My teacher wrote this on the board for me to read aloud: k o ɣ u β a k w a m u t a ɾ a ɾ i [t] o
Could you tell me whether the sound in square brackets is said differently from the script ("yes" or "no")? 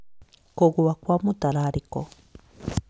yes